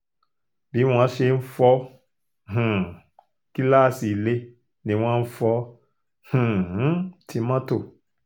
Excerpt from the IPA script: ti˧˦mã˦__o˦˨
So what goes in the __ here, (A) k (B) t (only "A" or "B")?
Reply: B